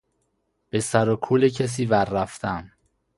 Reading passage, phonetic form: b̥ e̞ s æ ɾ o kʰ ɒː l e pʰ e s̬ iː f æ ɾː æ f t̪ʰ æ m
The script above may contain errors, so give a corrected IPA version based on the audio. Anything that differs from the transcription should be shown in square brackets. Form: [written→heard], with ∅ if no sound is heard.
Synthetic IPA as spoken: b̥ e̞ s æ ɾ o kʰ [ɒː→uː] l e [pʰ→cʰ] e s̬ iː [f→v] æ ɾː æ f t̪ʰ æ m